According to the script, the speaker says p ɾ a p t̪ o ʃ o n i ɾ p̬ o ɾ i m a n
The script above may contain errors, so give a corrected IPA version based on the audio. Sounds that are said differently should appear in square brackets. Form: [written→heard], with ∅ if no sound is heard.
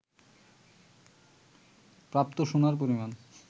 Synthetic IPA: p ɾ a p t̪ o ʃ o n [i→a] ɾ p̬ o ɾ i m a n